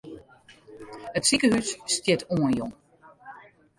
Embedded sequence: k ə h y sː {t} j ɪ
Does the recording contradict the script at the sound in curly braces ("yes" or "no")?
no